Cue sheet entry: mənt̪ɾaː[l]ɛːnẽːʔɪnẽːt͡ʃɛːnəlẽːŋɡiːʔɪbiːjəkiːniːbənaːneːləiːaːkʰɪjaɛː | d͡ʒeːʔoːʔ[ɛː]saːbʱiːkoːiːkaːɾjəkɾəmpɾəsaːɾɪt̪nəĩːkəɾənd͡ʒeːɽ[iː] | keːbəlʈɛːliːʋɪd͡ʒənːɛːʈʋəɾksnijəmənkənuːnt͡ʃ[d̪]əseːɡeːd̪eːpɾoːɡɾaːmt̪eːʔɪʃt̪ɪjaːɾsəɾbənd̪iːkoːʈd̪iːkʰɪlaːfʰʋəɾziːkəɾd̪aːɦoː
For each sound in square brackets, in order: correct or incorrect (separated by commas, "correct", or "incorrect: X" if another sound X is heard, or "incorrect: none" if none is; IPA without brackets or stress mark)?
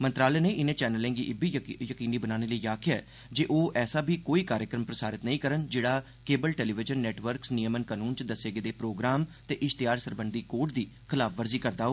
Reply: correct, correct, incorrect: aː, correct